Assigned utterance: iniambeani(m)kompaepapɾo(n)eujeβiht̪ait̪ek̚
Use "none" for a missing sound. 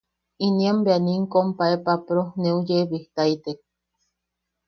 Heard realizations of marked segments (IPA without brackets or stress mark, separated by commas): ŋ, n